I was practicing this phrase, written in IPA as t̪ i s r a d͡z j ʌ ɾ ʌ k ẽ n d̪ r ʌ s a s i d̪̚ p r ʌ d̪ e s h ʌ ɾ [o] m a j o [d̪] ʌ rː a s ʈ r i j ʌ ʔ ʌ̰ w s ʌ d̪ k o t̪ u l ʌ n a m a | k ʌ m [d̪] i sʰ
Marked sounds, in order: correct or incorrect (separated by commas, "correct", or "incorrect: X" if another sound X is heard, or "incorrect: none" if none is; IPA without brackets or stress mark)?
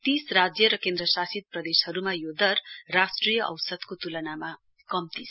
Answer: incorrect: u, correct, incorrect: t̪